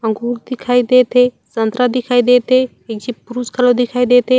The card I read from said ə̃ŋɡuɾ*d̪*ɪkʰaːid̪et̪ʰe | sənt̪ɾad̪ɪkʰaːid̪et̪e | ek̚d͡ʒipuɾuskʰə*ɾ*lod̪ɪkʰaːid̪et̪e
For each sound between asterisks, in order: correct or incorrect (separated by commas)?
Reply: correct, incorrect